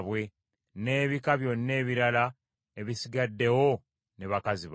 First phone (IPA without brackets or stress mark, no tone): β